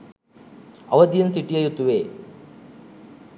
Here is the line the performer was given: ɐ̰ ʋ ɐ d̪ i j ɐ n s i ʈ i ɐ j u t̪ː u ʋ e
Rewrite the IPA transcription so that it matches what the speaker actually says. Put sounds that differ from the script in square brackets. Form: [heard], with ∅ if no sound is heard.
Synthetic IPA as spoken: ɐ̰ ʋ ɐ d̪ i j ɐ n s i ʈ i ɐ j u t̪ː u ʋ e